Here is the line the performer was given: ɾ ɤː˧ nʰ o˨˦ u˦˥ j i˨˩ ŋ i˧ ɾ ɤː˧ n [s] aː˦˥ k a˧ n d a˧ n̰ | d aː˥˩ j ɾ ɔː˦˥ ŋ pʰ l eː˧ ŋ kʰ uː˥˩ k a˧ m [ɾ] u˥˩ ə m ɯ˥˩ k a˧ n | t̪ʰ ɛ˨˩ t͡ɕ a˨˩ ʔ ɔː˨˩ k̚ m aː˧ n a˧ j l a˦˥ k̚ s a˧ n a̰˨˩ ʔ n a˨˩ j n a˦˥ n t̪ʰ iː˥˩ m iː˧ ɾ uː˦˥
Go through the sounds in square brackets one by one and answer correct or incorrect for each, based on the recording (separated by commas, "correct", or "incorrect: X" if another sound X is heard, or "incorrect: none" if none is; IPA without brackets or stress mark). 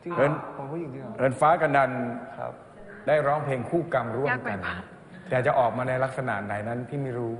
incorrect: f, correct